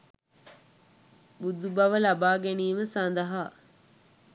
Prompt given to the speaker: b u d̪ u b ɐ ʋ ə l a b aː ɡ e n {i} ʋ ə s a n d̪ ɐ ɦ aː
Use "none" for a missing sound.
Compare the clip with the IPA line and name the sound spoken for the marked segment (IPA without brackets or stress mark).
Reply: iː